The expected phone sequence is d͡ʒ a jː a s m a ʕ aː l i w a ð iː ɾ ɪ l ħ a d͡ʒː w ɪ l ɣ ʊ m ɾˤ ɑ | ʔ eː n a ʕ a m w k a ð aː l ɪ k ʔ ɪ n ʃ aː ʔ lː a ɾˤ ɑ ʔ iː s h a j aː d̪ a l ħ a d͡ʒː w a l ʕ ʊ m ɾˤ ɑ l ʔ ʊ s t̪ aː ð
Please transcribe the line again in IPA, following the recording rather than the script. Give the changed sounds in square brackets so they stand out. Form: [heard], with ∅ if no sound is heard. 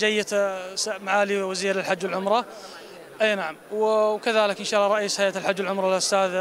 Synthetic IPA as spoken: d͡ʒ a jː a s m a ʕ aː l i w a [z] iː ɾ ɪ l ħ a d͡ʒː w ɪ l [ʕ] ʊ m ɾˤ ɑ | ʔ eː n a ʕ a m w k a ð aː l ɪ k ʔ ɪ n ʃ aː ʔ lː [ɑ] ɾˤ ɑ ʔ iː s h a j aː [t̪] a l ħ a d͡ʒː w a l ʕ ʊ m ɾˤ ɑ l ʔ ʊ s t̪ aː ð